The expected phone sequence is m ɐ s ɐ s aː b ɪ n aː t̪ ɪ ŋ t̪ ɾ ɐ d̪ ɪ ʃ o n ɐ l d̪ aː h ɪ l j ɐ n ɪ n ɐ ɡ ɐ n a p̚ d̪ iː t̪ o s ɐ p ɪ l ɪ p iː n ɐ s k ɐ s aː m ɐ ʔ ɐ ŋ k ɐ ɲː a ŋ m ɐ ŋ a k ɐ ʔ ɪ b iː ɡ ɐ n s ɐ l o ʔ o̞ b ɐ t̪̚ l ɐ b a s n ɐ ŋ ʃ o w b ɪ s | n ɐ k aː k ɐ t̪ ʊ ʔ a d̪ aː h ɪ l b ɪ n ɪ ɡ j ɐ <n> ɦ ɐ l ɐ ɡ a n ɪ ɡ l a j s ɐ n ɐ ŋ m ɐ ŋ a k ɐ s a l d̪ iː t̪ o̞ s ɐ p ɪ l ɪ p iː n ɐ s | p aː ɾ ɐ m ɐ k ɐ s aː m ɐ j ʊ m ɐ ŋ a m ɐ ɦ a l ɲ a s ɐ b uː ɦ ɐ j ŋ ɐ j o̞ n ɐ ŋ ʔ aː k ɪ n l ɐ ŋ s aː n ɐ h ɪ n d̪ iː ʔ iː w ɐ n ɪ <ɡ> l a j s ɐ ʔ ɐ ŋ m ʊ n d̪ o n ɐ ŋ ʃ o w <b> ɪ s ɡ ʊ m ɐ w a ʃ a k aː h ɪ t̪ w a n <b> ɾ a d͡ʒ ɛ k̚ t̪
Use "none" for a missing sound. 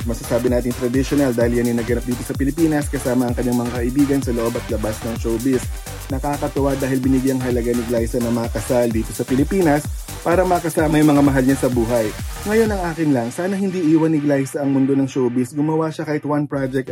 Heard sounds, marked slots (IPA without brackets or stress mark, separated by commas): ŋ, ɡ, b, p